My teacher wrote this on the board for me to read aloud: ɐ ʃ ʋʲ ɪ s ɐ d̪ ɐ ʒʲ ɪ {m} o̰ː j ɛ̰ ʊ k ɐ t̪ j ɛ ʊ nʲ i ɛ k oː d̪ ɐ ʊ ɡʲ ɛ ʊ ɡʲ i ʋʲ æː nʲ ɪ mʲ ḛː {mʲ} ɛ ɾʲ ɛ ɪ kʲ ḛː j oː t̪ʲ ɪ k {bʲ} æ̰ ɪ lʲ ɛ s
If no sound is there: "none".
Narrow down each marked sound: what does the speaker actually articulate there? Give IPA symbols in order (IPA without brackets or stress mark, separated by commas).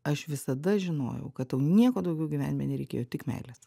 n, nʲ, mʲ